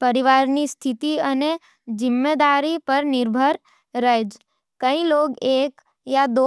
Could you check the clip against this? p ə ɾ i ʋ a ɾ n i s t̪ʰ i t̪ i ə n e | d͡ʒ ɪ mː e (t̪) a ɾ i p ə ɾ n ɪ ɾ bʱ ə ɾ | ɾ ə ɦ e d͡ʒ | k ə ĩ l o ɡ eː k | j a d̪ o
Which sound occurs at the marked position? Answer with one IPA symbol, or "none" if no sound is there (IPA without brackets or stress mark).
d̪